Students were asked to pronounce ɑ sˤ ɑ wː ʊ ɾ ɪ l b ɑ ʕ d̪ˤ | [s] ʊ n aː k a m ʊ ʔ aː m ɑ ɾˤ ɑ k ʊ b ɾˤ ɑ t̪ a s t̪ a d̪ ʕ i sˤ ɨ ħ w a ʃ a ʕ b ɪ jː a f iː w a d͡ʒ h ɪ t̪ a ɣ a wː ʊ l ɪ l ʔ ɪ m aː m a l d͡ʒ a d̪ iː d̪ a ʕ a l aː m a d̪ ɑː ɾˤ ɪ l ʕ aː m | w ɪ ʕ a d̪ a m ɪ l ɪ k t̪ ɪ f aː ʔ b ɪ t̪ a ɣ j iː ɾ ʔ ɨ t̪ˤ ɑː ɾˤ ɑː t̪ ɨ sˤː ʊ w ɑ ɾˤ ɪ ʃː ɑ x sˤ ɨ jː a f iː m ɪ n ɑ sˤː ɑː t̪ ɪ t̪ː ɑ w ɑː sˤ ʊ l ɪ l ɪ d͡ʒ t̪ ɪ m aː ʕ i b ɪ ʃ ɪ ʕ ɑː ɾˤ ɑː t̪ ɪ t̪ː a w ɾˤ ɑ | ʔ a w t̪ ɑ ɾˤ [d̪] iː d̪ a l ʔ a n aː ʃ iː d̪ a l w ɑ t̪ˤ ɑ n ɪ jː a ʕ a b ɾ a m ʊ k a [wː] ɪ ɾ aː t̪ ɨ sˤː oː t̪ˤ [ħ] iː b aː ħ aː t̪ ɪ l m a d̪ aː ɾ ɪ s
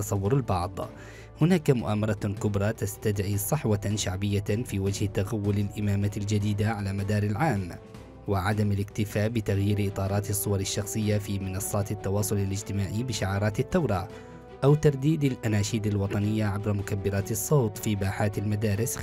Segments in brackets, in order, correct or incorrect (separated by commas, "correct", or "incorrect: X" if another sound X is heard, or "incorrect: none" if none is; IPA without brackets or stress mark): incorrect: h, correct, incorrect: bː, incorrect: f